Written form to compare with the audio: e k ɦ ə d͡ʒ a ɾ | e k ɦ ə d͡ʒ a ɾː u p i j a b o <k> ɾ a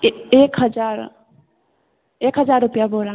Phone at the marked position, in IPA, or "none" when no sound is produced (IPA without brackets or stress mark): none